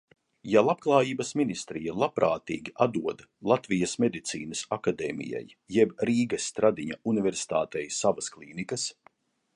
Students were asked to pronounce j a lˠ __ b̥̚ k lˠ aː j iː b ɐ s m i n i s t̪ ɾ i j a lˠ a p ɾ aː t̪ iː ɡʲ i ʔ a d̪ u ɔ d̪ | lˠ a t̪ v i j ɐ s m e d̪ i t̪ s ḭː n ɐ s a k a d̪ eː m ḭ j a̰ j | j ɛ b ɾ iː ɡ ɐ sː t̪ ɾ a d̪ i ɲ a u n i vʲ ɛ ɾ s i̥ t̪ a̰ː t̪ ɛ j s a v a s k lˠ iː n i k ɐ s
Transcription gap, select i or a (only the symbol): a